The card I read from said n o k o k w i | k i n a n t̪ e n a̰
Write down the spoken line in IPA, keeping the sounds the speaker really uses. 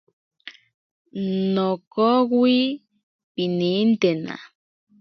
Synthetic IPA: n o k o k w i | p i n i n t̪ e n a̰

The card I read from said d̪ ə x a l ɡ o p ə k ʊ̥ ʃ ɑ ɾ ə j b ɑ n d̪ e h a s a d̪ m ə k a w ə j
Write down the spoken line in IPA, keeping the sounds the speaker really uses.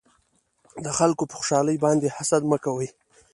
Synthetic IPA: d̪ ə x a l k o p ə x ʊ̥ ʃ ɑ l ə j b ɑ n d̪ e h a s a d̪ m ə k a w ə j

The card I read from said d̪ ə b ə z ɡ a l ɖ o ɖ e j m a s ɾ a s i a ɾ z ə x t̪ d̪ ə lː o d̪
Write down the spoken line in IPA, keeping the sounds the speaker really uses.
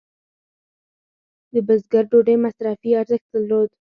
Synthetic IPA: d̪ ə b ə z ɡ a ɾ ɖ o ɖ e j m a s ɾ a f i a ɾ z ə x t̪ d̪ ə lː o d̪

